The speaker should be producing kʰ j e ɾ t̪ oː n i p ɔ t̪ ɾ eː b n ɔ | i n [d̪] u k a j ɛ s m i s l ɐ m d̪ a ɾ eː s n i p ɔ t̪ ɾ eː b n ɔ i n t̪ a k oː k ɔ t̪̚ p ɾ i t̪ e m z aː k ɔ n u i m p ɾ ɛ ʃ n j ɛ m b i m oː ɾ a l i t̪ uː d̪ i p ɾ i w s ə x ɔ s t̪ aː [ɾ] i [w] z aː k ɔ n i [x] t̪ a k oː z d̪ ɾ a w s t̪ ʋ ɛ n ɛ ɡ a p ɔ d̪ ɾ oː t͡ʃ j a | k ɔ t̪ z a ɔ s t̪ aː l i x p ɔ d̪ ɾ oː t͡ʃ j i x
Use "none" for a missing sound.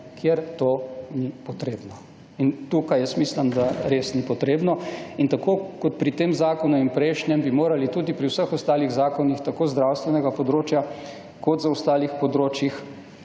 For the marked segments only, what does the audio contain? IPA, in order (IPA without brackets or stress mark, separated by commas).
t̪, l, ɣ, x